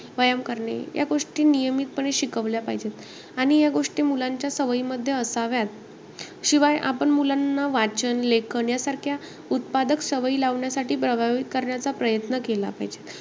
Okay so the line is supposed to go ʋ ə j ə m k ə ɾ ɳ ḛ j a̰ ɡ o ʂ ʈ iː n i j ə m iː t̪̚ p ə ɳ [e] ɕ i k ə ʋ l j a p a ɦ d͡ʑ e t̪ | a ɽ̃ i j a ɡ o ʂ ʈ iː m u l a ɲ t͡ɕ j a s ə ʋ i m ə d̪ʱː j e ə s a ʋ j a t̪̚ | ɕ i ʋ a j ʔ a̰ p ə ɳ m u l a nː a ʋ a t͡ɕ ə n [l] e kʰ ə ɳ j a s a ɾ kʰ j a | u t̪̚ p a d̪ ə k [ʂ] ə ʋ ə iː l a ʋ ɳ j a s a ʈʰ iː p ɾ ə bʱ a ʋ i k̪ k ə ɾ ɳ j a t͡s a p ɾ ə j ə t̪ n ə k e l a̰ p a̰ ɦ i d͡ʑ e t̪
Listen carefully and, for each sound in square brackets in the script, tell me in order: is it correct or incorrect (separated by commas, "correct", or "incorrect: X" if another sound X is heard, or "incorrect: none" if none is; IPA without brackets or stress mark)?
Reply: correct, correct, incorrect: s